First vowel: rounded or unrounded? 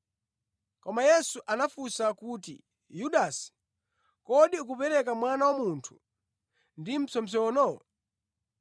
rounded